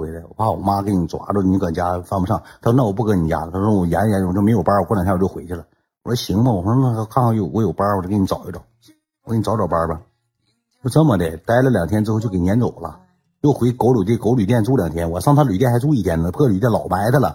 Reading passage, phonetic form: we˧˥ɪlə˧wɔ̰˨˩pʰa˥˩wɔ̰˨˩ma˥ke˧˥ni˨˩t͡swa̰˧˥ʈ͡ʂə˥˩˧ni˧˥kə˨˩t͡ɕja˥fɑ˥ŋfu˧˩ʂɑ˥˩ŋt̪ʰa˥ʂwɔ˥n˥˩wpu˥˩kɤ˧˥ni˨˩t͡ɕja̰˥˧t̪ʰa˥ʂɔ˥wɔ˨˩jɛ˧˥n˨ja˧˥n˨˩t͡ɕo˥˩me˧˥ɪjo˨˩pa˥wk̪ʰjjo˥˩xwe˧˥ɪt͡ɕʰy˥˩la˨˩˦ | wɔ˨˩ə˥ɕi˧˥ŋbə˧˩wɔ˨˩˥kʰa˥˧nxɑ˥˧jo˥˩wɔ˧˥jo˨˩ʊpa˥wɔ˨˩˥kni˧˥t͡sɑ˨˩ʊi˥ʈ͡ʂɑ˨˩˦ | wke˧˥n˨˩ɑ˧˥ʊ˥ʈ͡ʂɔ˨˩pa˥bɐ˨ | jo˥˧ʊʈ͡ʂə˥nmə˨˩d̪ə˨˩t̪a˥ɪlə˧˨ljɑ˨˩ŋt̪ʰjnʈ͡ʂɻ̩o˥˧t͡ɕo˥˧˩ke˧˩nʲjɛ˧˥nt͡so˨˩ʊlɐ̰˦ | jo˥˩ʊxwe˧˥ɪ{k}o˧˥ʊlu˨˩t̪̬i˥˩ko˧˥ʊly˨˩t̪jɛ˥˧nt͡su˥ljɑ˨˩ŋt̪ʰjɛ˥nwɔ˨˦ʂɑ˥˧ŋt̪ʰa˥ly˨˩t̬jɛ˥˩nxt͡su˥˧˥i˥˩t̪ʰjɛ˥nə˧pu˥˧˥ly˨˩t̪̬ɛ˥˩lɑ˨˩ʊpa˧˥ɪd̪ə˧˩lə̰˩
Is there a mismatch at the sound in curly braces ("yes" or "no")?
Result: no